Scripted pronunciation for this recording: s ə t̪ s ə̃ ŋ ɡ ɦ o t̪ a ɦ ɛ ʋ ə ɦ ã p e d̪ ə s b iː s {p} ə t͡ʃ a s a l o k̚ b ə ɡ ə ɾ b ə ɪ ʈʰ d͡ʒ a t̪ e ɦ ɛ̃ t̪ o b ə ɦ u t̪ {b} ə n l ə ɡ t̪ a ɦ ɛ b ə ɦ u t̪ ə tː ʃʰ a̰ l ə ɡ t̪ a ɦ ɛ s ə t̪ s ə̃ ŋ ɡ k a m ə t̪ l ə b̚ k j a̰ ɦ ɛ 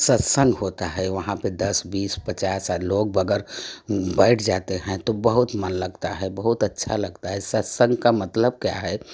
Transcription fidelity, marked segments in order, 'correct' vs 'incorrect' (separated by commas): correct, incorrect